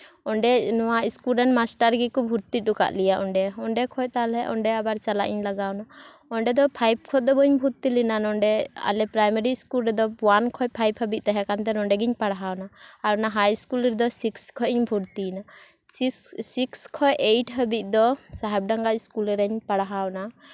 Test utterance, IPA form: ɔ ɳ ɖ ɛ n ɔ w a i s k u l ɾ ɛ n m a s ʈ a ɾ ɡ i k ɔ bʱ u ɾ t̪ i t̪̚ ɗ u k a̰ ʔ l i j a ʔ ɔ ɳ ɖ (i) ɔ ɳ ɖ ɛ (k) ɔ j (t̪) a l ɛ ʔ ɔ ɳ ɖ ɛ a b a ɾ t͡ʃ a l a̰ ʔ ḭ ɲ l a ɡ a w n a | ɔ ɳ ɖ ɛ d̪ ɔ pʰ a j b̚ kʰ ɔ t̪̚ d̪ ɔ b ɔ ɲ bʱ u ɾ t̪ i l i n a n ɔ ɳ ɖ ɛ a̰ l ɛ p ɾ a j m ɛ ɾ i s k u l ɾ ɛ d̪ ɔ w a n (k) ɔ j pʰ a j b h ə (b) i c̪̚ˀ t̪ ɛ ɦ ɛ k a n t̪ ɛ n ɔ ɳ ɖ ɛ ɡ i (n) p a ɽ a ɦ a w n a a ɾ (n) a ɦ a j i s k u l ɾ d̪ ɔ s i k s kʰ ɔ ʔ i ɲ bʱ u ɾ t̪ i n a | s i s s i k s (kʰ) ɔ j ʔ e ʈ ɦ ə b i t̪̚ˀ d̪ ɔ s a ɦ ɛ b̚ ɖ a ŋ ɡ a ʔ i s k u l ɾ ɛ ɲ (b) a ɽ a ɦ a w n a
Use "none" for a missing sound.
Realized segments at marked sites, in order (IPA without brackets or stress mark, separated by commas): ɛ, kʰ, t̪, kʰ, b, ɲ, n, kʰ, p